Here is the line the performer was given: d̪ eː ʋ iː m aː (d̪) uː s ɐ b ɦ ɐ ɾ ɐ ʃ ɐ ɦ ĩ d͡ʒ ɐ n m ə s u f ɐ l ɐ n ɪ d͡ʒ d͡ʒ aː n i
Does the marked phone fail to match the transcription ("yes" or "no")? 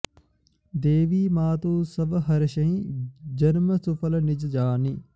yes